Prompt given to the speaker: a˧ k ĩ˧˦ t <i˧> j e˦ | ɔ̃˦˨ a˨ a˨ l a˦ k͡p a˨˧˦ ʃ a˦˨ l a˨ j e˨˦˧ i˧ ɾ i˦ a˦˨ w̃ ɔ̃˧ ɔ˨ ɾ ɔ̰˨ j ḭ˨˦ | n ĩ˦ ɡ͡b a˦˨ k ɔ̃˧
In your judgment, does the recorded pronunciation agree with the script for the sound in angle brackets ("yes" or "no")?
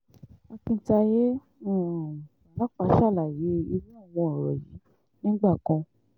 no